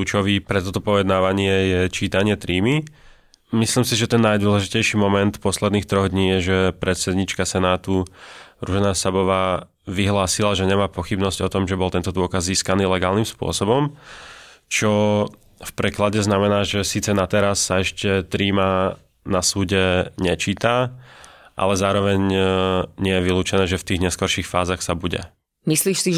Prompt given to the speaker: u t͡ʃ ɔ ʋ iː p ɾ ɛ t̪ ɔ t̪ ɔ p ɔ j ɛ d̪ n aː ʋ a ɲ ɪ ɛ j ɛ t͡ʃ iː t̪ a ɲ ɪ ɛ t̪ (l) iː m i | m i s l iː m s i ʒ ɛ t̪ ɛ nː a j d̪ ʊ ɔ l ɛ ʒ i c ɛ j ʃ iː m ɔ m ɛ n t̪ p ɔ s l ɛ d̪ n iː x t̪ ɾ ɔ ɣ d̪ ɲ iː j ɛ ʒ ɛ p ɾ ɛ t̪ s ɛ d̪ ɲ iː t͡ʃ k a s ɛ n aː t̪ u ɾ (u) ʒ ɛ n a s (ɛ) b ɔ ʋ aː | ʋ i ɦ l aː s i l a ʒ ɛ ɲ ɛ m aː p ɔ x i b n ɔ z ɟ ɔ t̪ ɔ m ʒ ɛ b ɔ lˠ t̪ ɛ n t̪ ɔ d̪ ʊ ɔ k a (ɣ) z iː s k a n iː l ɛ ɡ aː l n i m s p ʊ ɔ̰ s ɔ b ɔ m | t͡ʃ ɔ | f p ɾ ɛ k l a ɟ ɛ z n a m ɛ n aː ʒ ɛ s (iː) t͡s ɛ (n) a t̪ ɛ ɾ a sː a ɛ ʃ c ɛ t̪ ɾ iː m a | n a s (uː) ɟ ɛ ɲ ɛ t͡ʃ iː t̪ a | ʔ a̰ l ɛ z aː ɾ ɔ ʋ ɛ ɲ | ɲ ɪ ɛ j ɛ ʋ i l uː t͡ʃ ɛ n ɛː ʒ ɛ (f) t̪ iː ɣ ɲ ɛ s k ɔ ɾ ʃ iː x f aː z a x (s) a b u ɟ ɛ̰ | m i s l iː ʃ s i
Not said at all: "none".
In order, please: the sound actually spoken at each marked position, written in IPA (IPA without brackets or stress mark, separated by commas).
ɾ, u, a, z, iː, n, uː, f, s